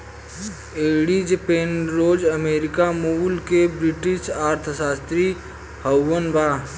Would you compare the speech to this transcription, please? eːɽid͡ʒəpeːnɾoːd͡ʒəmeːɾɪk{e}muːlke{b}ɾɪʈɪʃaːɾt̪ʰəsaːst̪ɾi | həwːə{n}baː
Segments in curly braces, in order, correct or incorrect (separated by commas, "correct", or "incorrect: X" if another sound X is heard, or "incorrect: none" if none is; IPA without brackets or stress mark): incorrect: a, correct, correct